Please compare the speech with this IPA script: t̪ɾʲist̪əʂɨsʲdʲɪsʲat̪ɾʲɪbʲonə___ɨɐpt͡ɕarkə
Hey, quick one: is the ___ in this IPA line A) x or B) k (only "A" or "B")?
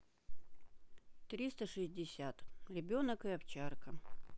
B